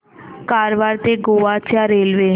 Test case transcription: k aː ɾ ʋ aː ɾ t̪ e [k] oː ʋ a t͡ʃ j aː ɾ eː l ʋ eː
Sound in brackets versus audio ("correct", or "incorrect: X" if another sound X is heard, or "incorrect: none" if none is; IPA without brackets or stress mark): incorrect: ɡ